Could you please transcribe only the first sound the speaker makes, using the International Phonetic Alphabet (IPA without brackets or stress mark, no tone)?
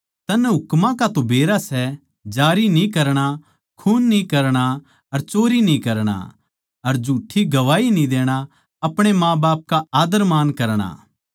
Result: t̪